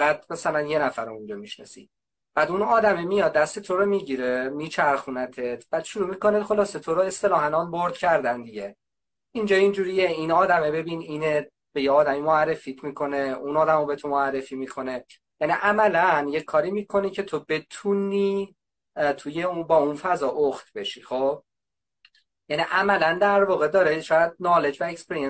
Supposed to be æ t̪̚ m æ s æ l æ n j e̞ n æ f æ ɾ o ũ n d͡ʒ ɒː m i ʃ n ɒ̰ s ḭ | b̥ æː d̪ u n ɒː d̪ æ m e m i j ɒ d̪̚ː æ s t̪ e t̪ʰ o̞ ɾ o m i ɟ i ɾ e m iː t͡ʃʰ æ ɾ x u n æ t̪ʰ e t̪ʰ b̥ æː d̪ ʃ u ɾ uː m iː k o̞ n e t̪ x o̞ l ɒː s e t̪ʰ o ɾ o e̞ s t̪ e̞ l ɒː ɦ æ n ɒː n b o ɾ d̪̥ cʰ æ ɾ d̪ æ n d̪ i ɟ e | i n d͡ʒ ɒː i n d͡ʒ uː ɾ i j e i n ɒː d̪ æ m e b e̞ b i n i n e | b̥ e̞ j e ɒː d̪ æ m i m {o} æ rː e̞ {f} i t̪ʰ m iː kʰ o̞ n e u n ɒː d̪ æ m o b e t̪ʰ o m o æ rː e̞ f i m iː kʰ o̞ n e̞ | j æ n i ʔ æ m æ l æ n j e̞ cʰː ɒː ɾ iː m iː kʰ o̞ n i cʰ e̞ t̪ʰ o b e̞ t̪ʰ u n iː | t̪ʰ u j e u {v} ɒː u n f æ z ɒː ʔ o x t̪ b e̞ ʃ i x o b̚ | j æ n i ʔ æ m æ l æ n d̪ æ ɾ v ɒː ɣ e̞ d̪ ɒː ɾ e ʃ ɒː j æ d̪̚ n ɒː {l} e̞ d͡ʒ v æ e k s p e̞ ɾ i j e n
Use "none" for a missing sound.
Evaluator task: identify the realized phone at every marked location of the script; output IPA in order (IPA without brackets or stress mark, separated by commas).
o, f, b, l